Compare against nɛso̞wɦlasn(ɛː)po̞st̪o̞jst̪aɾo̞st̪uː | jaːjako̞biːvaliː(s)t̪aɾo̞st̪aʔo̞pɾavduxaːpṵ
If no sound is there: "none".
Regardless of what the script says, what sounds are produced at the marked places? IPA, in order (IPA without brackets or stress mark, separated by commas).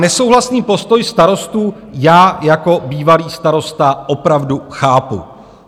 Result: iː, s